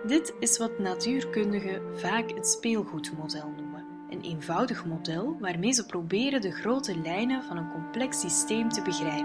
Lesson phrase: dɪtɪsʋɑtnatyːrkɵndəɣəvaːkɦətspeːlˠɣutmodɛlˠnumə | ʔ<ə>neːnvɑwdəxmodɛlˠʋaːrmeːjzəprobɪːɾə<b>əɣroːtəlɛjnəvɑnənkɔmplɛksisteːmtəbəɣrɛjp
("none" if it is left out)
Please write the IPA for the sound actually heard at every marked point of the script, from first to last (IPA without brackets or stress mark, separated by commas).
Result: ə, d